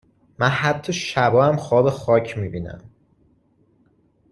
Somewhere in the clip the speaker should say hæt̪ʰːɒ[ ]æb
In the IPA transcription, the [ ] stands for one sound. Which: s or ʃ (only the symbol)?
ʃ